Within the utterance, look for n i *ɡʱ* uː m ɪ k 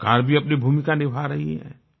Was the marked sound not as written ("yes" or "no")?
yes